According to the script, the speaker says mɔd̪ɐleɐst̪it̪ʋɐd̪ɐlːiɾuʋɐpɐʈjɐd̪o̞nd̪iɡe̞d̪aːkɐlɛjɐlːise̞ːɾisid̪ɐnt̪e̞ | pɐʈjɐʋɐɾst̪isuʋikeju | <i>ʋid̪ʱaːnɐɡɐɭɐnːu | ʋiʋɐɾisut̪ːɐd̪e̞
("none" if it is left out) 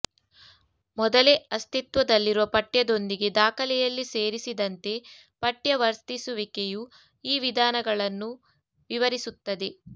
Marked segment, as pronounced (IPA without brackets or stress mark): iː